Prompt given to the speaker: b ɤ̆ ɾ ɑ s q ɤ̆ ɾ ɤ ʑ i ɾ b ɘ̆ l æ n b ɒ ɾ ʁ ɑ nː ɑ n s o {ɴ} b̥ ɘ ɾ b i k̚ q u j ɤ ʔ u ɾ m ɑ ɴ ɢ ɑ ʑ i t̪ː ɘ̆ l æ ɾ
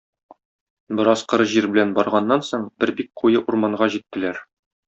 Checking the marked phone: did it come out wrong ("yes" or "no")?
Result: no